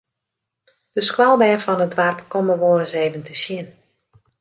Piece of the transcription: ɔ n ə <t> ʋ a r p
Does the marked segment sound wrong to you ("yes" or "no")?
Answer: yes